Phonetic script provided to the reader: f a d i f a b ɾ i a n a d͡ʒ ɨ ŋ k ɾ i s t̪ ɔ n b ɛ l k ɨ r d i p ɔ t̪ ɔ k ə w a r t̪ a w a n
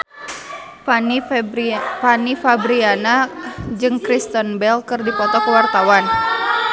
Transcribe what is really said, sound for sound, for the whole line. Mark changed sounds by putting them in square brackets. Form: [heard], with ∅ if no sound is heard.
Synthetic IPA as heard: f a [n] i f a b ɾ i a n a d͡ʒ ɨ ŋ k ɾ i s t̪ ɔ n b ɛ l k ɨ r d i p ɔ t̪ ɔ k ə w a r t̪ a w a n